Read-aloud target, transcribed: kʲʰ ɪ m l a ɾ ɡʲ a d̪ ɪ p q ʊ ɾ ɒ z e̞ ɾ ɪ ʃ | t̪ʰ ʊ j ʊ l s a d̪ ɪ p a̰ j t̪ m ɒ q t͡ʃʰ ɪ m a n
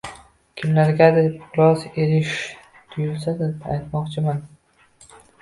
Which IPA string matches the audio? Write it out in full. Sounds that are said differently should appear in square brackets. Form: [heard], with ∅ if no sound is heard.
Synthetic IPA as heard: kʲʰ ɪ m l a ɾ ɡʲ a d̪ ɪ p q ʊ ɾ ɒ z e̞ ɾ ɪ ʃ | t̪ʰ ʊ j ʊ l s a d̪ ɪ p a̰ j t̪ m ɒ q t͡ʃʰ ɪ m a n